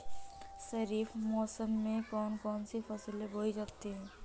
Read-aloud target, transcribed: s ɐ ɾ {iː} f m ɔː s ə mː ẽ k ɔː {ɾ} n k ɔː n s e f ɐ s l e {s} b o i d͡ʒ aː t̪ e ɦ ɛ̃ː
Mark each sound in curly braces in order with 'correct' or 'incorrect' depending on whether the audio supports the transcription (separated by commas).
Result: correct, incorrect, incorrect